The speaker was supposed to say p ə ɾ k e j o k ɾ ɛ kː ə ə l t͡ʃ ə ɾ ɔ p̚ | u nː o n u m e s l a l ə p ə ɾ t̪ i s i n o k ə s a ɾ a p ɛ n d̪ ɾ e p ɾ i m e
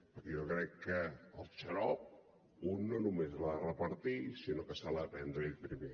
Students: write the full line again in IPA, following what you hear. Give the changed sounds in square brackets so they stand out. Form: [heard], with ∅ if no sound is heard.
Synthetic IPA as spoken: p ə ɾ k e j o k ɾ ɛ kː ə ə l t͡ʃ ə ɾ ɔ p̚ | u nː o n u m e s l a [r] ə p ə ɾ t̪ i s i n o k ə s a [l] a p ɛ n d̪ ɾ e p ɾ i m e